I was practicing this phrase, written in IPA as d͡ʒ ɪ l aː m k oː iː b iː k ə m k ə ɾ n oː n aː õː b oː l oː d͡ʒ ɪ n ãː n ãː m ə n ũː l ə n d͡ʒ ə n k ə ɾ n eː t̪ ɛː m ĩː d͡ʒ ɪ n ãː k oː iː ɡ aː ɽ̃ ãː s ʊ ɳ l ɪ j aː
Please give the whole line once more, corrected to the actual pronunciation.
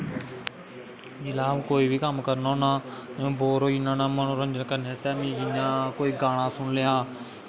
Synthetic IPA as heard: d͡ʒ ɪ l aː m k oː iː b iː k ə m k ə ɾ n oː n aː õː b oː ɾ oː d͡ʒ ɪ n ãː n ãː m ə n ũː ɾ ə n d͡ʒ ə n k ə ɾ n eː t̪ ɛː m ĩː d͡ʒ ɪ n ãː k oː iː ɡ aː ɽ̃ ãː s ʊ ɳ l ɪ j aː